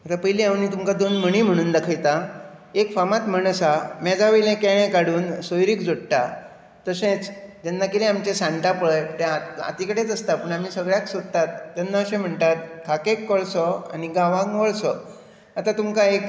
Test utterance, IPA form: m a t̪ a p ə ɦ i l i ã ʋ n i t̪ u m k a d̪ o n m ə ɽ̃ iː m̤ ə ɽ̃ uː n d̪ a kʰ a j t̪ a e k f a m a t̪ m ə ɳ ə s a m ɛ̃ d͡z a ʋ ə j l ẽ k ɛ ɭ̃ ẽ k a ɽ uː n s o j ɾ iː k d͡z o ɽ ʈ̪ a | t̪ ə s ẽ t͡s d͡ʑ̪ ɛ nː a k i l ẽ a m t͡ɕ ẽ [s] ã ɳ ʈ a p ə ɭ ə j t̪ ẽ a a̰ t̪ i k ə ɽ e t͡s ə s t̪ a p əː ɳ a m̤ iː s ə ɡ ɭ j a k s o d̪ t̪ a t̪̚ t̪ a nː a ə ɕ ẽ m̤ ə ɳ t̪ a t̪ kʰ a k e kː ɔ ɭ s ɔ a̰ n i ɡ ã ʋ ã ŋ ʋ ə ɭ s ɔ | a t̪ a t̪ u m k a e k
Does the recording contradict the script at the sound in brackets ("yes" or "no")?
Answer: no